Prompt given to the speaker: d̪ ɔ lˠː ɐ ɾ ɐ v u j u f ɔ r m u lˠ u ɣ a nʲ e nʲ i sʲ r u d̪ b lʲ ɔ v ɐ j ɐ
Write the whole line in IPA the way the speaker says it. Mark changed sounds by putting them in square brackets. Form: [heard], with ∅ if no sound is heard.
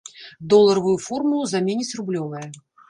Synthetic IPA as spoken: d̪ ɔ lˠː ɐ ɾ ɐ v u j u f ɔ r m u lˠ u [z] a [mʲ] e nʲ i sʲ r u [∅] b lʲ ɔ v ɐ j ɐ

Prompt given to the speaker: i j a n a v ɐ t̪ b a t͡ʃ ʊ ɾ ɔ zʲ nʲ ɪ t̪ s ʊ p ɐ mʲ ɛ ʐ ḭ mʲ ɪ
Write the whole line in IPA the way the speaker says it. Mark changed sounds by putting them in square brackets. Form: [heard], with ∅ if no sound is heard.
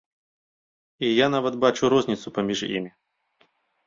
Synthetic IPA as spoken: i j a n a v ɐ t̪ b a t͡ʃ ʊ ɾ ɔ zʲ nʲ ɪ t̪ s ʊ p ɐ mʲ [i] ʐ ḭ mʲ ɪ

